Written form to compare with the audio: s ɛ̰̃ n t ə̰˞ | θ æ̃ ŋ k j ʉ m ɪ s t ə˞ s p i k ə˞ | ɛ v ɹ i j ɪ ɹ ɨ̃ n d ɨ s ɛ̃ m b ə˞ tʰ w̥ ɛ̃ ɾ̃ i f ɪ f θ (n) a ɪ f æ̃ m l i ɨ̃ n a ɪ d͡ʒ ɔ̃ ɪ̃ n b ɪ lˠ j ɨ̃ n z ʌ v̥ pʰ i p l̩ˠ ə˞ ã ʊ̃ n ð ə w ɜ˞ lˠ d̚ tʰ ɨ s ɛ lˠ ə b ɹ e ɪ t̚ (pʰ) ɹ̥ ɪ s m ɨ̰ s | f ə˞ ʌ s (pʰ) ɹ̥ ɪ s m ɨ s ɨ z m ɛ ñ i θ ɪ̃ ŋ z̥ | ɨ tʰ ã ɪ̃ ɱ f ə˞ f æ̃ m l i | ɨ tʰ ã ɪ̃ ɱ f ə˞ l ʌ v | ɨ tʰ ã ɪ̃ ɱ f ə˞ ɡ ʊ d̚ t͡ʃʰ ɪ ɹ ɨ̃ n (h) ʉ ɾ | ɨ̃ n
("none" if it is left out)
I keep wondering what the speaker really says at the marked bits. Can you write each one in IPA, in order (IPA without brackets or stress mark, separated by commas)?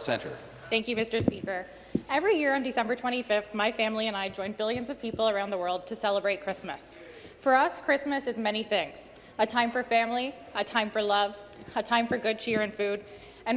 m, kʰ, kʰ, f